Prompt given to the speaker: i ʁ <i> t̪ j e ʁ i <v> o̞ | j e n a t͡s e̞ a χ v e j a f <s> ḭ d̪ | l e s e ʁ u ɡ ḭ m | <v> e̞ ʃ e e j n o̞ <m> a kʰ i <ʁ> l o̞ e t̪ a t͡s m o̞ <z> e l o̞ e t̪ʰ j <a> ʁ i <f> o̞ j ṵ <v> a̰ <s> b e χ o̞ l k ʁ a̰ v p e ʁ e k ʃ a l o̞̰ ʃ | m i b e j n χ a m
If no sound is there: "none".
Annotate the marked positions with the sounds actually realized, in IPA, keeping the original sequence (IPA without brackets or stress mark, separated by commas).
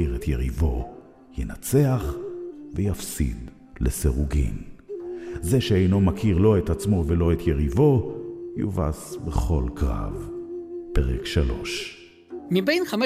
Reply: e, v, s, z, m, ʁ, v, e, v, v, s